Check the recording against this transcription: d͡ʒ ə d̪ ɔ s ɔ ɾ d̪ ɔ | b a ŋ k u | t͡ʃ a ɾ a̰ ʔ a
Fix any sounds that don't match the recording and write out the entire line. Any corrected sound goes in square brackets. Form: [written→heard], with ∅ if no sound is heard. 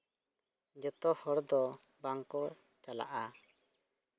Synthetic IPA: d͡ʒ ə [d̪→t̪] ɔ [s→h] ɔ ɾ d̪ ɔ | b a ŋ k [u→ɔ] | t͡ʃ a [ɾ→l] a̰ ʔ a